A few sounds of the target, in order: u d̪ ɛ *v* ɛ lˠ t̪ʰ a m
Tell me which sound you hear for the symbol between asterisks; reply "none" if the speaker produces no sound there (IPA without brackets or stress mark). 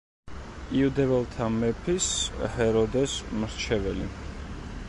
v